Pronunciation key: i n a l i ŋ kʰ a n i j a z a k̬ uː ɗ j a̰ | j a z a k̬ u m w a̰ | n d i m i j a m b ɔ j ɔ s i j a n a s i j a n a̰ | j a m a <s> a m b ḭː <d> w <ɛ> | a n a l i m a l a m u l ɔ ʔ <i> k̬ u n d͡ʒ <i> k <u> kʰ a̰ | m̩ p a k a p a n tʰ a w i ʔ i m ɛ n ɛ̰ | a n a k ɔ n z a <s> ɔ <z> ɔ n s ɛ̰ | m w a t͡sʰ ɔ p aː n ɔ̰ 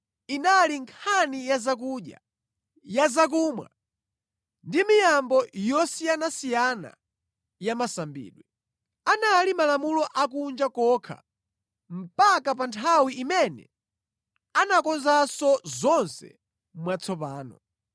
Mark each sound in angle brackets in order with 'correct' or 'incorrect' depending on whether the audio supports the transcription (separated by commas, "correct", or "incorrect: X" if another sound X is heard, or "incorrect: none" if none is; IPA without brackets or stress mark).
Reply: correct, incorrect: ɗ, correct, incorrect: a, incorrect: a, incorrect: ɔ, correct, correct